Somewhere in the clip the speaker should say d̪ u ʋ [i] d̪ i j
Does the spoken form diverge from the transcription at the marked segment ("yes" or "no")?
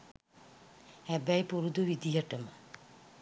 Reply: no